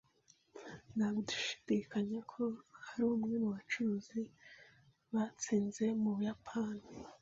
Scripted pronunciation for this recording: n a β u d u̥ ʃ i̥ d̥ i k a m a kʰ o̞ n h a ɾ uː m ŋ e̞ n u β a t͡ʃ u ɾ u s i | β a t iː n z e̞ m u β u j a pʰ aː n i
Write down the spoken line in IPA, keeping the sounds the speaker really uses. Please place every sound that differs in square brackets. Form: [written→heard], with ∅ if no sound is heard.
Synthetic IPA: n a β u d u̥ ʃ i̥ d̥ i k a [m→ɲ] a kʰ o̞ [n→∅] h a ɾ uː m ŋ e̞ n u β a t͡ʃ u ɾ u [s→z] i | β a [t→t͡s] iː n z e̞ m u β u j a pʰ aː n i